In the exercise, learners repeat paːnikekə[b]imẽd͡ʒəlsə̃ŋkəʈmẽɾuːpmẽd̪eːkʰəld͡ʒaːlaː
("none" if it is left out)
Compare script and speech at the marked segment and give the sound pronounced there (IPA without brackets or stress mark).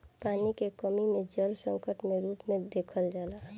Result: m